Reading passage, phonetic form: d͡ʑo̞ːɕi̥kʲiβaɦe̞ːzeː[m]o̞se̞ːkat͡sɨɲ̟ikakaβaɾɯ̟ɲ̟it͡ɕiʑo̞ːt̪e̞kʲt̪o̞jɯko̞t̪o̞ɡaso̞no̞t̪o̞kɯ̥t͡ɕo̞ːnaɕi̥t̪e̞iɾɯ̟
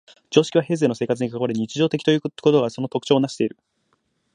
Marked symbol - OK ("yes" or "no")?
no